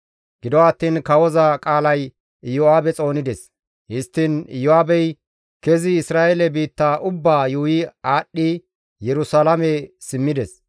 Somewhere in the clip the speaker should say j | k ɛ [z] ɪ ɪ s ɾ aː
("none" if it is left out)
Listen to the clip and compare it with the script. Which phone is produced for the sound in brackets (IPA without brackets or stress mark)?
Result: z